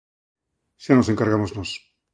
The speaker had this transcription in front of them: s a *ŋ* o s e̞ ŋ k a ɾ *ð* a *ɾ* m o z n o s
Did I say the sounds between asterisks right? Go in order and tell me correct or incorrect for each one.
incorrect: n, incorrect: ɣ, incorrect: none

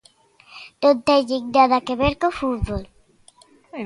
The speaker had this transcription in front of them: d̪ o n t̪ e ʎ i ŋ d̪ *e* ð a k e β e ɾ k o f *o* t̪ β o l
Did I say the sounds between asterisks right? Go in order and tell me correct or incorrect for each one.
incorrect: a, incorrect: u

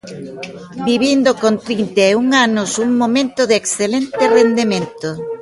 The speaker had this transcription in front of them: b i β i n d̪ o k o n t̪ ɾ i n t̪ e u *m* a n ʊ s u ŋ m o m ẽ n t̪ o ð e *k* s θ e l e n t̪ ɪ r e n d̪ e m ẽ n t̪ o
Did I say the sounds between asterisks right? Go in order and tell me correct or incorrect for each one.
incorrect: ŋ, correct

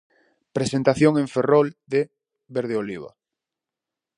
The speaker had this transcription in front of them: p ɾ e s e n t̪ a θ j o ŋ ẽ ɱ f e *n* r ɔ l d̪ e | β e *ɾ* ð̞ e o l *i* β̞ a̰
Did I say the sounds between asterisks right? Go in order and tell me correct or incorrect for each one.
incorrect: none, correct, correct

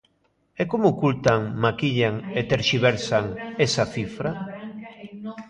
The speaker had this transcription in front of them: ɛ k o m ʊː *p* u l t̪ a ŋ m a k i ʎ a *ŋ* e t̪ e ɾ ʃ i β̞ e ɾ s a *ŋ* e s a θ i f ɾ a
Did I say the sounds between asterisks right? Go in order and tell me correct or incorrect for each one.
incorrect: k, correct, correct

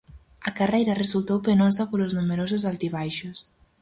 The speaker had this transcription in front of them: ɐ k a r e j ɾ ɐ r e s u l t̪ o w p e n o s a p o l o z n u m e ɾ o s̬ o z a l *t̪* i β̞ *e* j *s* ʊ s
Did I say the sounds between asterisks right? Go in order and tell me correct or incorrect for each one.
correct, incorrect: a, incorrect: ʃ

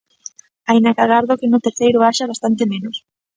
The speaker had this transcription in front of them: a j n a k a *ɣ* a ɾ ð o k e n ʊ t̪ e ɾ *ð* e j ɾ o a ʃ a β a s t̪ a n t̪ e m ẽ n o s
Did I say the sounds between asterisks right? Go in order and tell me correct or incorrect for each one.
correct, incorrect: θ

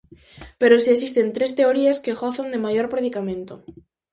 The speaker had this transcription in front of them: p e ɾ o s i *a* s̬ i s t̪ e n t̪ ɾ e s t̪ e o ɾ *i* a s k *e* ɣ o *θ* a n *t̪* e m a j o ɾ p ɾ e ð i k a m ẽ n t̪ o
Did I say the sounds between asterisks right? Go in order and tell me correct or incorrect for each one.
incorrect: e, correct, correct, correct, incorrect: d̪

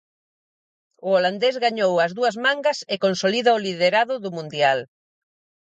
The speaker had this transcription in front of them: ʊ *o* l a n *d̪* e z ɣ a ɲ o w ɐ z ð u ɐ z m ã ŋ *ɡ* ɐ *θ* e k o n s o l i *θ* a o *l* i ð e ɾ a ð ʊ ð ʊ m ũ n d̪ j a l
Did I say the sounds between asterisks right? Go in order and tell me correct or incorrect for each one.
correct, correct, correct, incorrect: s, incorrect: ð, correct

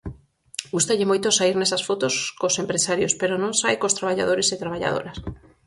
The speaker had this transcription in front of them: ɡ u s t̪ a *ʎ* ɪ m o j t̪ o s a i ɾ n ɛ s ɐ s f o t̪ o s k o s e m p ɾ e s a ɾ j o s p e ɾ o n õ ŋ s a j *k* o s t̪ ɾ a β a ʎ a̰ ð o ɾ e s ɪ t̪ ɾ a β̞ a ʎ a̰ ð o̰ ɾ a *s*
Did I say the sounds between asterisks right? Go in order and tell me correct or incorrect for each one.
correct, correct, correct

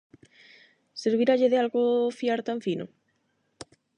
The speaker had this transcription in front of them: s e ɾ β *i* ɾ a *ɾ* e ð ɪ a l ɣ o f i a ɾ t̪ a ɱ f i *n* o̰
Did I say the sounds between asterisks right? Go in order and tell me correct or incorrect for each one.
correct, incorrect: ʎ, correct

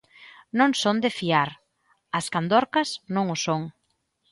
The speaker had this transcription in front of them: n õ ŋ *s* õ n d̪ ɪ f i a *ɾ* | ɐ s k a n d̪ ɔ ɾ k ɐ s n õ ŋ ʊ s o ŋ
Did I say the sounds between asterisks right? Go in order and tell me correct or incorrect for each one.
correct, correct

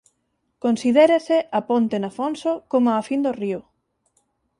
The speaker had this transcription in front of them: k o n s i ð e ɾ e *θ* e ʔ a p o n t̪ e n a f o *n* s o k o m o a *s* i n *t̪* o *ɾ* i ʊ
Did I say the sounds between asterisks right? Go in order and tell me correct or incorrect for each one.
incorrect: s, correct, incorrect: f, incorrect: d̪, incorrect: r

